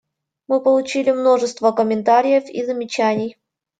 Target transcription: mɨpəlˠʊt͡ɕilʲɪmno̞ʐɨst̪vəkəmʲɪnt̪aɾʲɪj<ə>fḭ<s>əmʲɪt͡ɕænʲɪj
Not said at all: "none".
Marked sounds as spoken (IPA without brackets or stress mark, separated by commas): ə, z